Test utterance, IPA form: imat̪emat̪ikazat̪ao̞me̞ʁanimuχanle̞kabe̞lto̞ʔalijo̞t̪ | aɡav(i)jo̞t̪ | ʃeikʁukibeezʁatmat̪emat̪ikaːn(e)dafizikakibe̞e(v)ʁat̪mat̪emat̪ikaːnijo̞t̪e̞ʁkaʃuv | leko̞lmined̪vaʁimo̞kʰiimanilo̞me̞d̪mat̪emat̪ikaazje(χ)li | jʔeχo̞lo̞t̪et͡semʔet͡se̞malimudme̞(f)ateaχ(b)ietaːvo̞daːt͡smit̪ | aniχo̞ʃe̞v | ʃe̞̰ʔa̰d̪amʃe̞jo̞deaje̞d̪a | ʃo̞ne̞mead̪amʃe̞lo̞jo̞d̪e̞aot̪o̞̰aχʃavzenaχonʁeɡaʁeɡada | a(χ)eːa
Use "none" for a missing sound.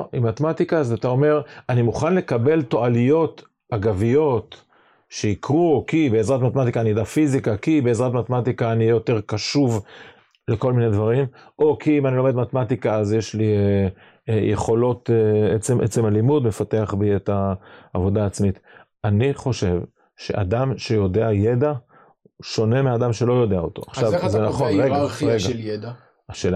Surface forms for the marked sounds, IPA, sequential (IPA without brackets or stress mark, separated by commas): i, i, z, ʃ, f, b, ʃ